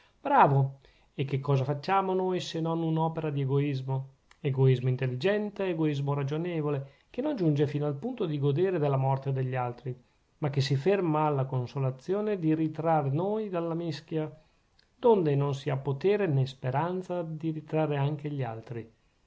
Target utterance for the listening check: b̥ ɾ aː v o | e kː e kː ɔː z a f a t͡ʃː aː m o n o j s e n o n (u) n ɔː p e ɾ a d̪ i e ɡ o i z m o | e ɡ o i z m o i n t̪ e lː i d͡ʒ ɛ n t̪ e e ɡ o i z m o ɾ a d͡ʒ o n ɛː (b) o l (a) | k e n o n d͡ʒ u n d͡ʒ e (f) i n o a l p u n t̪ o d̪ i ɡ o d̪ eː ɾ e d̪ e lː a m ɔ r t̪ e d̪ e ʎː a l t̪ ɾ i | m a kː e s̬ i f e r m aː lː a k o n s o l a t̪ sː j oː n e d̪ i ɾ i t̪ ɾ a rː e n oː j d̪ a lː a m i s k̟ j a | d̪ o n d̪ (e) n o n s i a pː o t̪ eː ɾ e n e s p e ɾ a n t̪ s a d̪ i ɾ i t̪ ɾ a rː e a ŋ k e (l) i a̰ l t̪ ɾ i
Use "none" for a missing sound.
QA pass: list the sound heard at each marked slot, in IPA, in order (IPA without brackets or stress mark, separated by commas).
u, v, e, f, e, ʎ